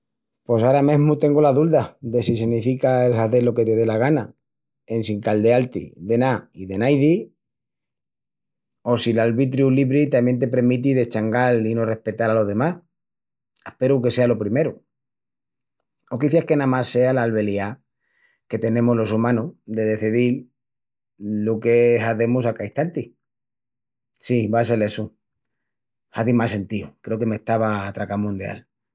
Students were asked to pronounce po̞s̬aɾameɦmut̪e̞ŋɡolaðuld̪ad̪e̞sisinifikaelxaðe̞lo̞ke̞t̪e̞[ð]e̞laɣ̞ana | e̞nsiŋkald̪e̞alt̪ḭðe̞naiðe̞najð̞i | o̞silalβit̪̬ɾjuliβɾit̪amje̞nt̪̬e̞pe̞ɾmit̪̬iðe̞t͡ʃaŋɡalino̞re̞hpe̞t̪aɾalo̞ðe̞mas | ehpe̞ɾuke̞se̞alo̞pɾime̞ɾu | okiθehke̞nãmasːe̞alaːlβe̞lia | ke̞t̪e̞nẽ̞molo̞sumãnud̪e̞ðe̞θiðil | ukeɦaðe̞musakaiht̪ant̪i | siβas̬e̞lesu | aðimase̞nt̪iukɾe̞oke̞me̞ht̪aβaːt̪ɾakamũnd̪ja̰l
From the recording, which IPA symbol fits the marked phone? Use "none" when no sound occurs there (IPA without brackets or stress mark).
ð